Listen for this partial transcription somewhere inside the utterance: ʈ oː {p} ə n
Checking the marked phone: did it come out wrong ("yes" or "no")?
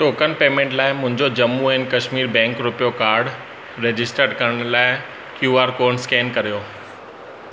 yes